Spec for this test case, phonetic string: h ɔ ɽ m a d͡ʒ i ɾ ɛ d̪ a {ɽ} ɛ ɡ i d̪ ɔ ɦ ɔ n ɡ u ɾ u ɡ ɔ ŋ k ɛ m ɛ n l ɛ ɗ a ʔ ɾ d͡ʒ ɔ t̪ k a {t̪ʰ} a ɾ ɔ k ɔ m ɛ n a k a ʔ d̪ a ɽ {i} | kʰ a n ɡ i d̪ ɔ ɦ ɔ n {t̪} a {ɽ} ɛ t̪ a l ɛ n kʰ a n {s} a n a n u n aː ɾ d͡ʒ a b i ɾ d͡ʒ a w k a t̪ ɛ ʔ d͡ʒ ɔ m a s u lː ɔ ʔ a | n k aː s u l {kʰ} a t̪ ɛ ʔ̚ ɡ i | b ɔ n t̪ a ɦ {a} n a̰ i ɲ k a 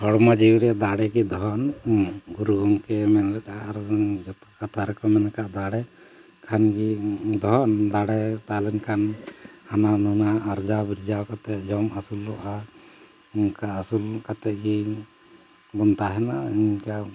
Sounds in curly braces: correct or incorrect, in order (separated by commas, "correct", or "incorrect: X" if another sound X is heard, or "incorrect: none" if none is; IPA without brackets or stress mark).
correct, correct, incorrect: ɛ, incorrect: d̪, correct, incorrect: h, incorrect: k, incorrect: ɛ